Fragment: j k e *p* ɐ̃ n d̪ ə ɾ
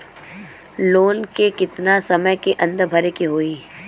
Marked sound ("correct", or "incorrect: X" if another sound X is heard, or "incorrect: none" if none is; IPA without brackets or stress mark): incorrect: ʔ